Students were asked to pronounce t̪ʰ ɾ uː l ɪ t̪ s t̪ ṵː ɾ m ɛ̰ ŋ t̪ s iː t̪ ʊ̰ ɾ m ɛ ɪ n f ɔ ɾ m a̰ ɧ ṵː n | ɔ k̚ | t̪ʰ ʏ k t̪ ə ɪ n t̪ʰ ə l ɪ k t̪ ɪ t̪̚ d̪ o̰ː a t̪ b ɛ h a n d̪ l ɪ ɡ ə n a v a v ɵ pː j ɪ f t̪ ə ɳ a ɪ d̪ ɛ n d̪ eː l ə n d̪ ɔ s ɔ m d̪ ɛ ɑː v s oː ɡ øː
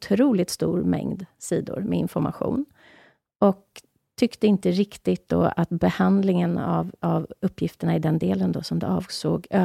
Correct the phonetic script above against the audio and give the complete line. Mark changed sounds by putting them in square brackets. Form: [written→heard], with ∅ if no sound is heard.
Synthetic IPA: t̪ʰ ɾ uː l ɪ t̪ s t̪ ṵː ɾ m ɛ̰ ŋ [t̪→d̪] s iː [t̪→d̪] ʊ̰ ɾ m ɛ ɪ n f ɔ ɾ m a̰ ɧ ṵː n | ɔ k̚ | t̪ʰ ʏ k t̪ ə ɪ n [t̪ʰ→t̪] ə [l→ɾ] ɪ k t̪ ɪ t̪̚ d̪ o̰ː a t̪ b ɛ h a n d̪ l ɪ [ɡ→ŋ] ə n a v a v ɵ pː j ɪ f t̪ ə ɳ a ɪ d̪ ɛ n d̪ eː l ə n d̪ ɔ s ɔ m d̪ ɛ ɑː v s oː ɡ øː